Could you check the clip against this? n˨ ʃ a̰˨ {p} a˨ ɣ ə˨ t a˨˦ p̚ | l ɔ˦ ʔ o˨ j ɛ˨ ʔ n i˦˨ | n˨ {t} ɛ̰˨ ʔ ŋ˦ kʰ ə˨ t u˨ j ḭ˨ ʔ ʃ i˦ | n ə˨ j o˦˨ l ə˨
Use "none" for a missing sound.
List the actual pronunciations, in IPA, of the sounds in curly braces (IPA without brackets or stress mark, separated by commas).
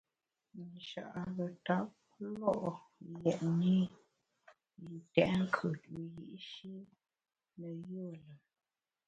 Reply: ʔ, t